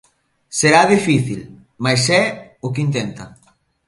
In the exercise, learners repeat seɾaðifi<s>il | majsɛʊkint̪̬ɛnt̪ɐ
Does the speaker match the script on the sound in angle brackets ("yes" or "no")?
no